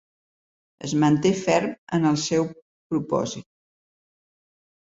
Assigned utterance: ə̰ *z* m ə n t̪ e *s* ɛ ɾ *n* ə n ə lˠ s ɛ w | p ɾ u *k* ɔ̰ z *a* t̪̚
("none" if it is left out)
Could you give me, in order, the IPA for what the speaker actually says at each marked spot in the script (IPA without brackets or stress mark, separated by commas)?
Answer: z, f, m, p, i